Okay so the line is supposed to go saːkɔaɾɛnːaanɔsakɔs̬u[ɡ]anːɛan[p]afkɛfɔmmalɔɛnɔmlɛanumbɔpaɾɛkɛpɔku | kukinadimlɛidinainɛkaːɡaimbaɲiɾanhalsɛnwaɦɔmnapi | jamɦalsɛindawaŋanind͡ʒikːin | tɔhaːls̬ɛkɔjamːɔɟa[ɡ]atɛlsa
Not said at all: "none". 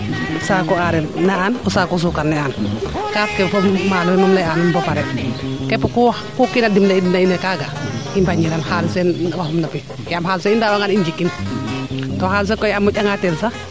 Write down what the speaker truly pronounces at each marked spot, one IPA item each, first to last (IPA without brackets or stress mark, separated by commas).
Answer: k, k, ŋ